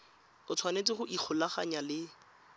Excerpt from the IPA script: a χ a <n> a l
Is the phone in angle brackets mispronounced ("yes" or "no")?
yes